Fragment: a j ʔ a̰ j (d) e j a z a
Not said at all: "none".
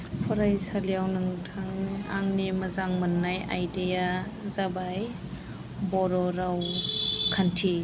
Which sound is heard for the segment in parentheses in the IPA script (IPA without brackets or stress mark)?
d